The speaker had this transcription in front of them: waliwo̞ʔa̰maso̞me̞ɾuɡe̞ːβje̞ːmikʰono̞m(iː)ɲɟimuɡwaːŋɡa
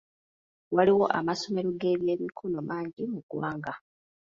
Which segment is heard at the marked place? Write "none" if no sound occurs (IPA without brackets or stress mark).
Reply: aː